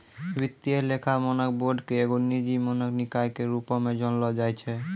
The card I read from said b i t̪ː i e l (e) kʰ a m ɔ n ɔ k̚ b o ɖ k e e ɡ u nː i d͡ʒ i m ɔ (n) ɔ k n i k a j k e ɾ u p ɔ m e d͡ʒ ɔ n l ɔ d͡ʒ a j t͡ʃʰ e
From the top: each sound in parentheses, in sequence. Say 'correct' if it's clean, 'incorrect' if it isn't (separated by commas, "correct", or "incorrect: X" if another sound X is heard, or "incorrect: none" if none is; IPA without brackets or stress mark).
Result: correct, correct